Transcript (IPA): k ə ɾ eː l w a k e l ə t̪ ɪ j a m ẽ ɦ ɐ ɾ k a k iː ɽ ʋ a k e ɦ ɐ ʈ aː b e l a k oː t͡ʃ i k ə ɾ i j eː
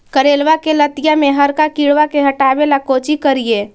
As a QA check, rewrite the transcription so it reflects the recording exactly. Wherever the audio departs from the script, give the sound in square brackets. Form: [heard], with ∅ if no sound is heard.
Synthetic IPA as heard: k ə ɾ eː l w a k e l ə t̪ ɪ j a m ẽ ɦ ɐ ɾ k a k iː ɽ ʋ a k e ɦ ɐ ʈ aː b e l a k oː t͡ʃ i k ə ɾ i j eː